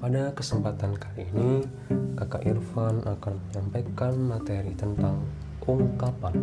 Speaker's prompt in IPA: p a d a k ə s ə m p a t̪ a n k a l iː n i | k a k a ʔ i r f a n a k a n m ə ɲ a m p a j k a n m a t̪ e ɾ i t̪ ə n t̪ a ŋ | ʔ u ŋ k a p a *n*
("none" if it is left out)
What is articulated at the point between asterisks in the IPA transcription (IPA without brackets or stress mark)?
n